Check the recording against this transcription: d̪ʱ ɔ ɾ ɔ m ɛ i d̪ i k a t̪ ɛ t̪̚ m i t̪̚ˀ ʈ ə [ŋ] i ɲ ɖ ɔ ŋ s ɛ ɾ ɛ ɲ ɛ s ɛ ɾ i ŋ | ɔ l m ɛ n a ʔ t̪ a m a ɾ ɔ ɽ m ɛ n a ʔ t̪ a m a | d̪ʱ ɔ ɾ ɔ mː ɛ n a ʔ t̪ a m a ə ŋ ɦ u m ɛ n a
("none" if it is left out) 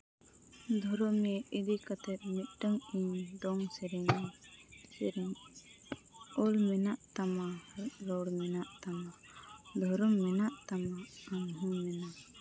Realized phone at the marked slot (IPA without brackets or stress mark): ŋ